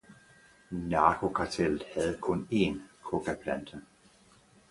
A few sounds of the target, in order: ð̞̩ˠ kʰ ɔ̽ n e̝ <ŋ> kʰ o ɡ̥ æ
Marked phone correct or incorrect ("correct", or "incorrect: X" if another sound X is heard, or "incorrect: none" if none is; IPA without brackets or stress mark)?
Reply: incorrect: n